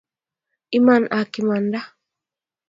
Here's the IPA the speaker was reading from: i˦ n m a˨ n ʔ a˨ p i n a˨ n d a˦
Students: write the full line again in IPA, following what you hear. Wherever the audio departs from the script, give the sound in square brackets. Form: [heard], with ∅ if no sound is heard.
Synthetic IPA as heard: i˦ [∅] m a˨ n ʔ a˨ [k] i [m] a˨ n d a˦

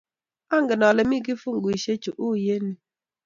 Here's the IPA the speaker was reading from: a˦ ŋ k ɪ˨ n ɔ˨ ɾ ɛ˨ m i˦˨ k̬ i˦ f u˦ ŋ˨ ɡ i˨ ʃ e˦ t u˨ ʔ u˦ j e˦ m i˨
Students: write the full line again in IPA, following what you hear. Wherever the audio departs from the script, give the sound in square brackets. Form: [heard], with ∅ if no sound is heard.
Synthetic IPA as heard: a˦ ŋ [ɡ] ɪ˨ n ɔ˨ [l] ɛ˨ m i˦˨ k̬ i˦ f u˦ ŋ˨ ɡ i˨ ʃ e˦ [t͡ʃ] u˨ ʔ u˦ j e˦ [n] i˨

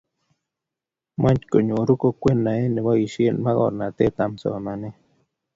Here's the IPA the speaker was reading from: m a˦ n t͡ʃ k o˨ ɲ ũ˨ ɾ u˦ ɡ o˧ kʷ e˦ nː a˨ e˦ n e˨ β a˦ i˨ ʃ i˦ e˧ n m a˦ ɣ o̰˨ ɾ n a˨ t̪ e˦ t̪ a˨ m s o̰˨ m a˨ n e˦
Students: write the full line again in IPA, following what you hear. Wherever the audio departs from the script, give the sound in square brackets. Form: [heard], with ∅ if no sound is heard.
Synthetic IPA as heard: m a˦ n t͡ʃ k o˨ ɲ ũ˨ ɾ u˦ [k] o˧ kʷ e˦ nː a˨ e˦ n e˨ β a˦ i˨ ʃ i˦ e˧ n m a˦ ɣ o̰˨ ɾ n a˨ t̪ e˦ t̪ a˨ m s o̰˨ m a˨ n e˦

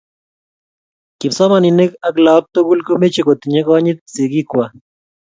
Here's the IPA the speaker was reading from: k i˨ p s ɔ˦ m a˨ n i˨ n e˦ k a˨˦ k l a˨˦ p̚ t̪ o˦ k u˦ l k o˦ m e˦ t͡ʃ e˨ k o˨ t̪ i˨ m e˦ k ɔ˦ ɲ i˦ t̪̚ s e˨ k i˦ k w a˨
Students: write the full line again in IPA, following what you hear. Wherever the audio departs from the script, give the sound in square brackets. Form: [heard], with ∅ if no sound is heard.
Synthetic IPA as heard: k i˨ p s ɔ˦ m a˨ n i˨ n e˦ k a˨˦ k l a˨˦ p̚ t̪ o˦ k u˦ l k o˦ m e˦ t͡ʃ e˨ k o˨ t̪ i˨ [ɲ] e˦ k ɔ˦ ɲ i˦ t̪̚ s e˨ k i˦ k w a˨

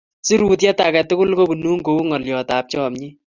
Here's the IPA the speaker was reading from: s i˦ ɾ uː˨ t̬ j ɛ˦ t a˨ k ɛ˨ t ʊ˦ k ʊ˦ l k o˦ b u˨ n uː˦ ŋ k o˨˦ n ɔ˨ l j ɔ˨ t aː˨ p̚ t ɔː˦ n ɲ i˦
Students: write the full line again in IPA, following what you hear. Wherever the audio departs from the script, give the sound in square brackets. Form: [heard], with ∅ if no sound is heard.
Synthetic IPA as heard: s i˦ ɾ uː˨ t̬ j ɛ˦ t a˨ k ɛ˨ t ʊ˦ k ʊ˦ l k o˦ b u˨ n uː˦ ŋ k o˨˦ [ŋ] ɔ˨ l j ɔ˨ t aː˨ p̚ [t͡ʃ] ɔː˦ [m] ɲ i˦

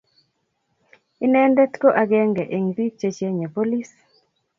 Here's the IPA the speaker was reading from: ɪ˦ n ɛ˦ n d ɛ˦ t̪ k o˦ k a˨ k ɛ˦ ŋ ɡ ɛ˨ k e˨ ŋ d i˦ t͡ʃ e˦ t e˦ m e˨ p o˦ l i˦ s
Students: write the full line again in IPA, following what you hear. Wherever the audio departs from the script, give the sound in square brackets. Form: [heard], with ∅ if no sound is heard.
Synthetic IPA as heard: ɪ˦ n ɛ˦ n d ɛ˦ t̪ k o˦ [ʔ] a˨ [ɡ] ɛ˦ ŋ ɡ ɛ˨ [ʔ] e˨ ŋ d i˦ t͡ʃ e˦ [t͡ʃ] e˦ [ɲ] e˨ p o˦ l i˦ s

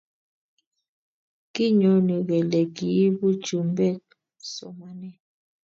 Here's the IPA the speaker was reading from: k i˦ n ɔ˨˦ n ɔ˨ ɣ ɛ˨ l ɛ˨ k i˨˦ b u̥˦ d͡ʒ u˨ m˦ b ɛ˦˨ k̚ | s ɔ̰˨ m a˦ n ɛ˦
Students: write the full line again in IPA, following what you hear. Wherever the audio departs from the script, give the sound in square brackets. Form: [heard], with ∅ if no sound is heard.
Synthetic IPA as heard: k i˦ [ɲ] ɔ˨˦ n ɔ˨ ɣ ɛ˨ l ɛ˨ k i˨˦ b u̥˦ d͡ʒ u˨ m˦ b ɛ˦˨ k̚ | s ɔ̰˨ m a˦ n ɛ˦

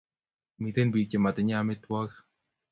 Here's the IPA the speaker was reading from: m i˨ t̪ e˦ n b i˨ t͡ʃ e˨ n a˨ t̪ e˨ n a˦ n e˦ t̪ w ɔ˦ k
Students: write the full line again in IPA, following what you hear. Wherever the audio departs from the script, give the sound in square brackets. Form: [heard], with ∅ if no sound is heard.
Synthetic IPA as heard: m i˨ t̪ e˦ n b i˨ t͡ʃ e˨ [m] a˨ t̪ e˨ [ɲ] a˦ [m] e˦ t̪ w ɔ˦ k

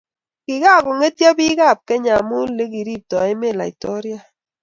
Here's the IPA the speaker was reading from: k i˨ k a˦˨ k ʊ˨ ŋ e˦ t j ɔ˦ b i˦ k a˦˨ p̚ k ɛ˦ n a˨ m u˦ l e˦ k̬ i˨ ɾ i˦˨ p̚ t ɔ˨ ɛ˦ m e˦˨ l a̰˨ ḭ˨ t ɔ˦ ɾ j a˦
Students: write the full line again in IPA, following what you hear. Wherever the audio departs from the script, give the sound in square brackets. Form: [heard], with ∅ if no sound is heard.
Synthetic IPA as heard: k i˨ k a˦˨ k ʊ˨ ŋ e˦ t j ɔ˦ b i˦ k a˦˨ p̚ k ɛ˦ [ɲ] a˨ m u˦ l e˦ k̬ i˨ ɾ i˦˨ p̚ t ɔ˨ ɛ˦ m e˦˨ l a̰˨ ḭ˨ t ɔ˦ ɾ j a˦

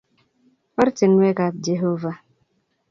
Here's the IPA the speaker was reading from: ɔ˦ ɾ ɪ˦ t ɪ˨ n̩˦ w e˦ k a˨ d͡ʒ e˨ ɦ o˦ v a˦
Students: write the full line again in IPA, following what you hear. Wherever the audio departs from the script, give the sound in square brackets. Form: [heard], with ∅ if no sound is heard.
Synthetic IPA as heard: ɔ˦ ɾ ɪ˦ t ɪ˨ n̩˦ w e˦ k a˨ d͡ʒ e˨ ɦ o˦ v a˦

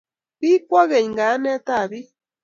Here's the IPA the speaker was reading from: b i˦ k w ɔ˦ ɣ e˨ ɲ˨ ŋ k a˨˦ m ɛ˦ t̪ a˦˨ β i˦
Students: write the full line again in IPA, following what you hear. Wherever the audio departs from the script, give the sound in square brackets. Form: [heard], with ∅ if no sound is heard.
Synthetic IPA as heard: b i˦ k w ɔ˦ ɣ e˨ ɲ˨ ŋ [ɡ] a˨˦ [n] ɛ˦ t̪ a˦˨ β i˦

